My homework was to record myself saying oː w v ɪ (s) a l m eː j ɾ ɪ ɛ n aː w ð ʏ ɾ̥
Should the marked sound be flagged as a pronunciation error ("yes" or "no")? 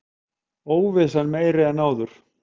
no